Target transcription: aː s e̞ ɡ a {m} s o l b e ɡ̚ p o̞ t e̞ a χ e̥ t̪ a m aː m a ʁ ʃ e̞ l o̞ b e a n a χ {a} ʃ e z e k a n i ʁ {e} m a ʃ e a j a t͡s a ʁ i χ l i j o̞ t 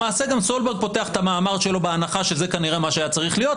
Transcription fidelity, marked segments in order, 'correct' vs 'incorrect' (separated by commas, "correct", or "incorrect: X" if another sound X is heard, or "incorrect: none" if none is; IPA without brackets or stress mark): correct, correct, correct